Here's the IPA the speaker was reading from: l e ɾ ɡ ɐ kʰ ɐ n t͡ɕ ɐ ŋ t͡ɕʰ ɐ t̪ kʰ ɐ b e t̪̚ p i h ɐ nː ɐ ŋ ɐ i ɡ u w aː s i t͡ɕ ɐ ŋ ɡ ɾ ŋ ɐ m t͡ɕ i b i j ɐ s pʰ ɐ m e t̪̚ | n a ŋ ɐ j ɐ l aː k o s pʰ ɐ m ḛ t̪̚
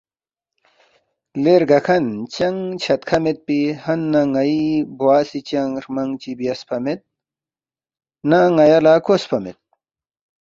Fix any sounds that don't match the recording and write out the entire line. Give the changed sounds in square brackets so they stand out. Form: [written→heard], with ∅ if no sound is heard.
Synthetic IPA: l e ɾ ɡ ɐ kʰ ɐ n t͡ɕ ɐ ŋ t͡ɕʰ ɐ t̪ kʰ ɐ [b→m] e t̪̚ p i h ɐ nː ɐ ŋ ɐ i [ɡ→b] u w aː s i t͡ɕ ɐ ŋ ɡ ɾ [ŋ→m] ɐ [m→ŋ] t͡ɕ i b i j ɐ s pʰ ɐ m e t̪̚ | n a ŋ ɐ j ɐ l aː k o s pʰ ɐ m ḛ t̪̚